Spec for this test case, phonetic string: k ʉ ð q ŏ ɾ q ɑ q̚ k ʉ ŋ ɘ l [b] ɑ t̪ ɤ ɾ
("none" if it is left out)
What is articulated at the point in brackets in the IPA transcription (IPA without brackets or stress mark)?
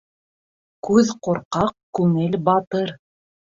b